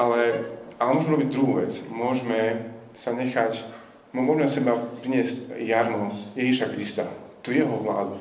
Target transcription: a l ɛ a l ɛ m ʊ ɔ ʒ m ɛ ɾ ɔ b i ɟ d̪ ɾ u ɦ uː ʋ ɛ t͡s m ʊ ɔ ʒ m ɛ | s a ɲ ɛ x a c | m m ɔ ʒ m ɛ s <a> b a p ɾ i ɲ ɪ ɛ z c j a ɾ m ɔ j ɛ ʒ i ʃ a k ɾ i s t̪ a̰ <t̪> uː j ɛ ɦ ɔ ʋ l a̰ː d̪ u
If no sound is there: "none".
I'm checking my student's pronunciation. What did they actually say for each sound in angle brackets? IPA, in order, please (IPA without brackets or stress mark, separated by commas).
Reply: ɛ, t̪